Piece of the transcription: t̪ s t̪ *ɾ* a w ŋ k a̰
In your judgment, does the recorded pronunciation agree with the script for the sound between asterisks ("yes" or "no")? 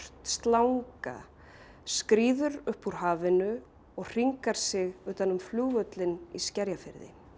no